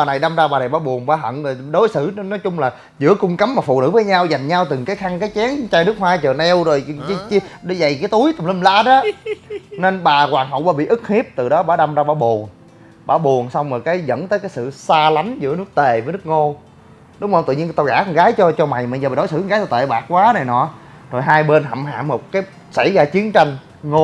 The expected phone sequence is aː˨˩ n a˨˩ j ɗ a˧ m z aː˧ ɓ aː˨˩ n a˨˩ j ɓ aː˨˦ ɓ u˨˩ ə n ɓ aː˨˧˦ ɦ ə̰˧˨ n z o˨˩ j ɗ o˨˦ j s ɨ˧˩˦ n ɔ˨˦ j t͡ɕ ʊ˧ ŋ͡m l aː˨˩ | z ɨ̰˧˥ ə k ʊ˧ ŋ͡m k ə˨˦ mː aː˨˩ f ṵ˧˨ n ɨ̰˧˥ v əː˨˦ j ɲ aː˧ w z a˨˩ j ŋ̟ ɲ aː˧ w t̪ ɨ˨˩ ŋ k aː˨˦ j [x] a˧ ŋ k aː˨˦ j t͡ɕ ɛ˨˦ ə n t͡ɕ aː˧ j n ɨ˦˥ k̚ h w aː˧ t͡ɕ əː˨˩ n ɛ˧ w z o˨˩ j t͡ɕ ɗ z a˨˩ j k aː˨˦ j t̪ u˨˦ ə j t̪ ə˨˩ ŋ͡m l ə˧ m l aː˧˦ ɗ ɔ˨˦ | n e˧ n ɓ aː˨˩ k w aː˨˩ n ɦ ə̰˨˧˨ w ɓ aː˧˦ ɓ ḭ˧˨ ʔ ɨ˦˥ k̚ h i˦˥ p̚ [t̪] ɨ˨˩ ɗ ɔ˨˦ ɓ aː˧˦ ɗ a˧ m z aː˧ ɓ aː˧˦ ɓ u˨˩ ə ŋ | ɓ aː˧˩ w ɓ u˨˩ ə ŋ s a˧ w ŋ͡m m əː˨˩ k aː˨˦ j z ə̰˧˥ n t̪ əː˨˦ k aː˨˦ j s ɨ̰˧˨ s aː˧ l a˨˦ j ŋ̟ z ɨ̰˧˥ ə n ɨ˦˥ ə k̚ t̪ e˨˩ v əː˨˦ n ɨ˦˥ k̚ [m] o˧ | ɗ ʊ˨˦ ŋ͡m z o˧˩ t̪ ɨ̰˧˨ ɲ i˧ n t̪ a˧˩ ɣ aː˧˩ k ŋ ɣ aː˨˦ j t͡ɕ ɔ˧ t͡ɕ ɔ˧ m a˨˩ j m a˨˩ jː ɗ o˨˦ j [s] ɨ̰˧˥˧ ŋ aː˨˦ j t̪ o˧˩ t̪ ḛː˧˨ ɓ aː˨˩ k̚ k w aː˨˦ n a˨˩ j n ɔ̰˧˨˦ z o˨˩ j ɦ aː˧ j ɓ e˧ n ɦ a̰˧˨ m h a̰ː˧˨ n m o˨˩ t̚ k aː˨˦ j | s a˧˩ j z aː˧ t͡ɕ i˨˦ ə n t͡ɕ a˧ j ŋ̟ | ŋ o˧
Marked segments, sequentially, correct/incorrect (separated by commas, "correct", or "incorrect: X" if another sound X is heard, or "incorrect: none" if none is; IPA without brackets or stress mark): correct, correct, incorrect: ŋ, correct